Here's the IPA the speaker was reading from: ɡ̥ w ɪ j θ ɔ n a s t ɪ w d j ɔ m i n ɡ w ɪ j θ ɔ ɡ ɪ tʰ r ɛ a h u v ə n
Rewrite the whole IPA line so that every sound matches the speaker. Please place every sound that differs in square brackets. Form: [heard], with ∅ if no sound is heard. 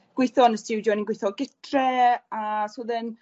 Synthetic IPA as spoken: ɡ̥ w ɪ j θ ɔ n [ə] s t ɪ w d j ɔ [n] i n ɡ w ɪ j θ ɔ ɡ ɪ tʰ r ɛ a [s] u [ð] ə n